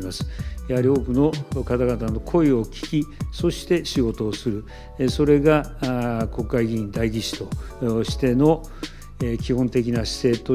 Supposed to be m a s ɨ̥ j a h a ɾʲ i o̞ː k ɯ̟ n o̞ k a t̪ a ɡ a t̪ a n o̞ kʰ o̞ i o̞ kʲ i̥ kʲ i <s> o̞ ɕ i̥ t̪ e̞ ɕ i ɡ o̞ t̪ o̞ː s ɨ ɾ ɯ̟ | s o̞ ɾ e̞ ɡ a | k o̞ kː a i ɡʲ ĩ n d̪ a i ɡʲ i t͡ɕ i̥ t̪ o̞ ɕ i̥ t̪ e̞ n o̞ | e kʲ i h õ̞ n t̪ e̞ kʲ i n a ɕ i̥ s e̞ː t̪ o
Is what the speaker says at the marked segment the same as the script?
yes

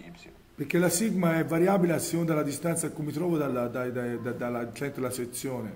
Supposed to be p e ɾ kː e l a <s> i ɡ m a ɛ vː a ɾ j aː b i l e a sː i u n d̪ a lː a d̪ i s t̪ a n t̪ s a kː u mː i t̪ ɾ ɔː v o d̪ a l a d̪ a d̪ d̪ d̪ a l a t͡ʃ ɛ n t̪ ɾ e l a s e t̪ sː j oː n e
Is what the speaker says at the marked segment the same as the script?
yes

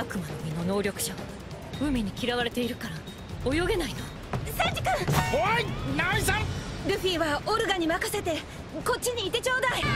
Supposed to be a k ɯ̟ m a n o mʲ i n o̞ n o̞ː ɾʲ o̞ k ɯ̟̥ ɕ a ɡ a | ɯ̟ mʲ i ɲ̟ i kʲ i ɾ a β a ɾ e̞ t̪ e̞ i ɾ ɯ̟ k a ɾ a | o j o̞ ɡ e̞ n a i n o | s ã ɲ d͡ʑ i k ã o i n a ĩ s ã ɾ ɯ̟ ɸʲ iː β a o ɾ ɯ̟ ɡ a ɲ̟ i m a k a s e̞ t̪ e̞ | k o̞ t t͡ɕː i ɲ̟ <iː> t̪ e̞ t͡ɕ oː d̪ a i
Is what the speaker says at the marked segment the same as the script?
yes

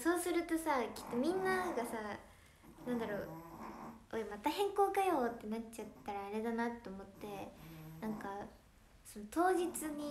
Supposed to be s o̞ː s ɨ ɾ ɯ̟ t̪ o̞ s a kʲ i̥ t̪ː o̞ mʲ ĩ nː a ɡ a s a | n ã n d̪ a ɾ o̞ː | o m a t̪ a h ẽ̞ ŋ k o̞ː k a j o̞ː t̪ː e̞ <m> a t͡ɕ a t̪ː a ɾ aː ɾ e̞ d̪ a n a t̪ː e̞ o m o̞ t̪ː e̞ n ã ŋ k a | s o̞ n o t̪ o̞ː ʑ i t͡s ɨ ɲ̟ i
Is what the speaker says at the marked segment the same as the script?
no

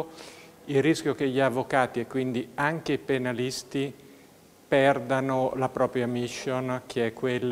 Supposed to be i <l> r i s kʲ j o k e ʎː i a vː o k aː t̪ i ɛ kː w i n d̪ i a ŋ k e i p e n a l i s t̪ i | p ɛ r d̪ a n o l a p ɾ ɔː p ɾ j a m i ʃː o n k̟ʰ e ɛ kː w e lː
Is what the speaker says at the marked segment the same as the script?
yes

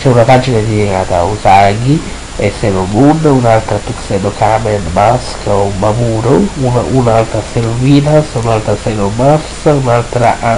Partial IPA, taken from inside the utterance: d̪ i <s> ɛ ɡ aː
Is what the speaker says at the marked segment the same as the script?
no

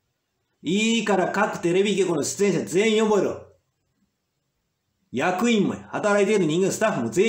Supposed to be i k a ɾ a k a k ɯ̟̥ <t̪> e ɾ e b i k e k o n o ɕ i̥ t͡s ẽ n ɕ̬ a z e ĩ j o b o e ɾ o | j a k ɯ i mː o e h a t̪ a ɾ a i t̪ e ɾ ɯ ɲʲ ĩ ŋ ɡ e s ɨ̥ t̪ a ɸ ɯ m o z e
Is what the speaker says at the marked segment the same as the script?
yes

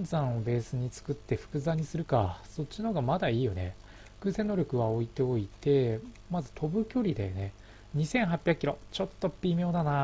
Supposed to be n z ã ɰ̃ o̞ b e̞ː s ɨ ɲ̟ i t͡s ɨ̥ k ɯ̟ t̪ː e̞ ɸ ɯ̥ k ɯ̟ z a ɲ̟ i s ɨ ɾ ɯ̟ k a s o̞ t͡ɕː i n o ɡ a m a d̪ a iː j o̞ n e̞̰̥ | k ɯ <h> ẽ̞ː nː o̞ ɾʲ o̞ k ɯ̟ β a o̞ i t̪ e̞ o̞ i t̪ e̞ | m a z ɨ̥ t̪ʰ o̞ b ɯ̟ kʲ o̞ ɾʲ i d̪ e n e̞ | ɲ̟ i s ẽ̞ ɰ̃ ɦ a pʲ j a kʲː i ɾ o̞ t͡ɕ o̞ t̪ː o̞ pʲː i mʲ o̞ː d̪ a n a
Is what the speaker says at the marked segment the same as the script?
no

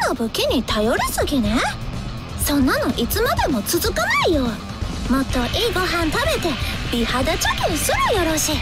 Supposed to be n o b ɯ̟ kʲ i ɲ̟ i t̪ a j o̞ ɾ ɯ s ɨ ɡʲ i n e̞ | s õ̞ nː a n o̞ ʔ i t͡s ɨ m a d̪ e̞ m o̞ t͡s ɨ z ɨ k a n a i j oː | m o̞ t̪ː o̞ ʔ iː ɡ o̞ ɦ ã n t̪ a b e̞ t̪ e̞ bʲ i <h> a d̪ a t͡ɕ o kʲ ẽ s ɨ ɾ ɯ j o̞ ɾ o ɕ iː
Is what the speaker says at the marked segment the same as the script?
yes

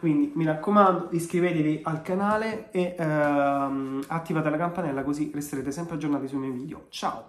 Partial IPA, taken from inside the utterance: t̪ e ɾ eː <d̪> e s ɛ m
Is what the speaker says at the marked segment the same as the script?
no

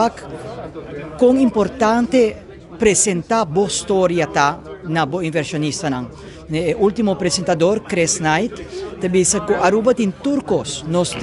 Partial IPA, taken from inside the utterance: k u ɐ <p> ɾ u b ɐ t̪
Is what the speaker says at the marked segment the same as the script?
no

